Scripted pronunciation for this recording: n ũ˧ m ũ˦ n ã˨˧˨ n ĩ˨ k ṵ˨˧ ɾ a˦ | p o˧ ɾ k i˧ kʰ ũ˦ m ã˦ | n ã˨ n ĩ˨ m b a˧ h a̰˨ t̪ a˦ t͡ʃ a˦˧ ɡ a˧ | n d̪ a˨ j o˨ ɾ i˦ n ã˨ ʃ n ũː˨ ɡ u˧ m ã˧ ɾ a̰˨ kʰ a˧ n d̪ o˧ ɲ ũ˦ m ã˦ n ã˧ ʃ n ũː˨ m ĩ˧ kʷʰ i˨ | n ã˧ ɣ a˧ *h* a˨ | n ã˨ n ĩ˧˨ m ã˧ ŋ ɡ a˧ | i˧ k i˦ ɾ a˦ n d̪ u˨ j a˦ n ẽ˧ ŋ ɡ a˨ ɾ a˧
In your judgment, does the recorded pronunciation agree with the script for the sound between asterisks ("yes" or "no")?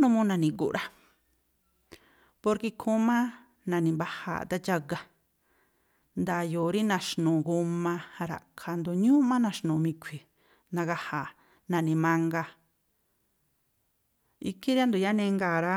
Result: yes